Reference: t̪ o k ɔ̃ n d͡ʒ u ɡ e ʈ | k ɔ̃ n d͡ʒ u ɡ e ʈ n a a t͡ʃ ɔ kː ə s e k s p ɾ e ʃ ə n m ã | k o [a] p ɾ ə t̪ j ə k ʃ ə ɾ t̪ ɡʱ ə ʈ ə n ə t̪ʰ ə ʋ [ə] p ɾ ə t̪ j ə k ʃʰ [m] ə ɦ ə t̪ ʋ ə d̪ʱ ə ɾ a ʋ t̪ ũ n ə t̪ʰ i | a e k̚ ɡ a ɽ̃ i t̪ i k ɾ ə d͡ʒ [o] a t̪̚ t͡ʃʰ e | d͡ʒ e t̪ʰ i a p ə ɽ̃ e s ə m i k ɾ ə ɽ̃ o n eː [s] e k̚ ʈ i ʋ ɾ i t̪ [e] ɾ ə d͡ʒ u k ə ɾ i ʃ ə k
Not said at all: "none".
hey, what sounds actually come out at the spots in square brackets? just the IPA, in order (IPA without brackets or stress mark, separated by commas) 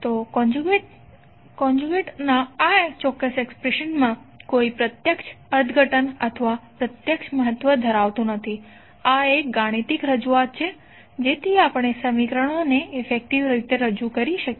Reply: i, a, m, u, f, e